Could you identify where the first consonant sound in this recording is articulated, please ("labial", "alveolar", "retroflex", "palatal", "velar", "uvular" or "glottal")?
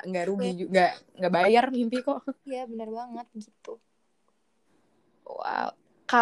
velar